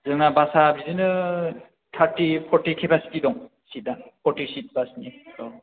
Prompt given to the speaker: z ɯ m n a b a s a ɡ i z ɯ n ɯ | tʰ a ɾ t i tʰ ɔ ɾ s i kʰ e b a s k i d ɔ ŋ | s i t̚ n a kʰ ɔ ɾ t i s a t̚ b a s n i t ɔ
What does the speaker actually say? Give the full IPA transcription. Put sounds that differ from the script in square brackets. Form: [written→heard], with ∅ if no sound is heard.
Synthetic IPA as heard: z ɯ [m→ŋ] n a b a s a [ɡ→b] i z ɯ n ɯ | tʰ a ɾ t i [tʰ→pʰ] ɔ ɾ [s→t] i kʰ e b a s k i d ɔ ŋ | s i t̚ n a [kʰ→pʰ] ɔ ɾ t i s [a→i] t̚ b a s n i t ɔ